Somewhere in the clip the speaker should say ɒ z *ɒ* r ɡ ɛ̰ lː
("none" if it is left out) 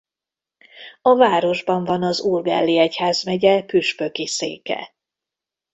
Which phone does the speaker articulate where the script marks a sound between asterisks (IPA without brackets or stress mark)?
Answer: u